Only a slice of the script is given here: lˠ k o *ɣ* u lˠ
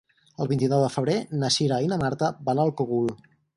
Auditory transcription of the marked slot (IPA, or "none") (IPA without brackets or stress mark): ɣ